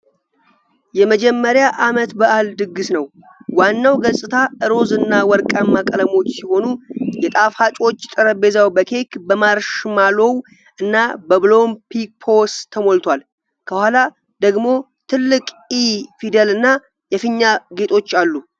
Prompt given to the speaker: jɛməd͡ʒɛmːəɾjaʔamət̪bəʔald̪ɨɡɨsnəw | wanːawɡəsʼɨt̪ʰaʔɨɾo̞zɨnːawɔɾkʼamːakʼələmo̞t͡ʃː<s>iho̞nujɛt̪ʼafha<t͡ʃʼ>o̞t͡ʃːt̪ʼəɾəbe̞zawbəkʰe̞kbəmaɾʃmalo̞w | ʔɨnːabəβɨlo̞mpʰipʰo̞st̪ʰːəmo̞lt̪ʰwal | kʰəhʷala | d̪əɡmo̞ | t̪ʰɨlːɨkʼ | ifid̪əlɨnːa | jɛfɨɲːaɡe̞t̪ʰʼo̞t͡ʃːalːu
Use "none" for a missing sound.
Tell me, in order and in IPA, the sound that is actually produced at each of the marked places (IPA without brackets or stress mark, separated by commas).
s, t͡ʃʼ